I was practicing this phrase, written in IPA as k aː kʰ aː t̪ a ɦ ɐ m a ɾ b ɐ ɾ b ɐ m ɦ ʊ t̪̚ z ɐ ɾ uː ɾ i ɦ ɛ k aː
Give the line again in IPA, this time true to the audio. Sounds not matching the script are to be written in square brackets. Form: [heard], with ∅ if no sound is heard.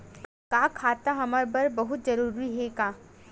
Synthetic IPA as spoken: k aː kʰ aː t̪ a ɦ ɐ m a ɾ b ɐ ɾ b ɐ [∅] ɦ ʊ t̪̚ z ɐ ɾ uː ɾ i ɦ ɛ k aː